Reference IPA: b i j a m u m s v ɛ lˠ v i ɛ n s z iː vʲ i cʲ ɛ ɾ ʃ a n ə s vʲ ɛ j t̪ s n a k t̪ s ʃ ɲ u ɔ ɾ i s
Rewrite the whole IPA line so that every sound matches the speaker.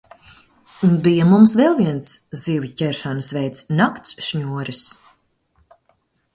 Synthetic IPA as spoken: b i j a m u m s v ɛ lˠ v i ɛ n s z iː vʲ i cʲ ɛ ɾ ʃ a n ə s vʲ ɛ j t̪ s n a k t̪ s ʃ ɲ u ɔ ɾ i s